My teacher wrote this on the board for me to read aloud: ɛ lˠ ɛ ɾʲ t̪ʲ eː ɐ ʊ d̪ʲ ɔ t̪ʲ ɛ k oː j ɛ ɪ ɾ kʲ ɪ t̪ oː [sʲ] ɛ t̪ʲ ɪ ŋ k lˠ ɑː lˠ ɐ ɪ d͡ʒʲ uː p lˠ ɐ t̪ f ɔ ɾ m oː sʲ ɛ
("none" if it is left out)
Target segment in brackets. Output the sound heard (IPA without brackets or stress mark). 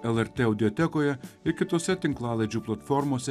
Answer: sʲ